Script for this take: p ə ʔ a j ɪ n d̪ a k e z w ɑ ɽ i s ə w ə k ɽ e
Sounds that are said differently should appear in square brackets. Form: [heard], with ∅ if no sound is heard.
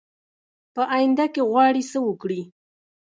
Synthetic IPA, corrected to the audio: p ə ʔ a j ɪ n d̪ a k e [ɣ] w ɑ ɽ i s ə w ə k ɽ [i]